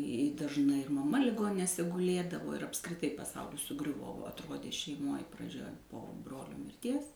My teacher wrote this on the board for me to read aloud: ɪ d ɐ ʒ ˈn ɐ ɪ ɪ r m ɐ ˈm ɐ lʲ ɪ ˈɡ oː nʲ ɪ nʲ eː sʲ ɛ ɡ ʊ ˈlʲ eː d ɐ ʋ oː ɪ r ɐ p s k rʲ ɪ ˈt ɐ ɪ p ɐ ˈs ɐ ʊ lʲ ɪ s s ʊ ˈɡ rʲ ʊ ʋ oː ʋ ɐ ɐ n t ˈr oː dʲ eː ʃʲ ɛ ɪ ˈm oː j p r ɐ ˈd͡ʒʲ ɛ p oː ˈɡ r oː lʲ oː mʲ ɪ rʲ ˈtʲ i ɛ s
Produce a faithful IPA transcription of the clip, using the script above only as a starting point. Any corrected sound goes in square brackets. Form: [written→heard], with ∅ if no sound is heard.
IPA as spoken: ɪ d ɐ ʒ ˈn ɐ ɪ ɪ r m ɐ ˈm ɐ lʲ ɪ ˈɡ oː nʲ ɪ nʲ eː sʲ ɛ ɡ ʊ ˈlʲ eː d ɐ ʋ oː ɪ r ɐ p s k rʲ ɪ ˈt ɐ ɪ p ɐ ˈs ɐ ʊ lʲ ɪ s s ʊ ˈɡ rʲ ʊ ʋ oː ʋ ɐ ɐ [n→∅] t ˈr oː dʲ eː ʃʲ ɛ ɪ ˈm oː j p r ɐ ˈd͡ʒʲ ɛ p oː [ˈɡ→ˈb] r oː lʲ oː mʲ ɪ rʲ ˈtʲ i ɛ s